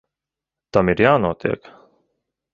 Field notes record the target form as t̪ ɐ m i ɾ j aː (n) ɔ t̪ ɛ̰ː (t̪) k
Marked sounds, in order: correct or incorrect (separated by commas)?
correct, incorrect